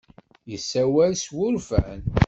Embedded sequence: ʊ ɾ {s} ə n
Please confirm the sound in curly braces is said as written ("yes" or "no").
no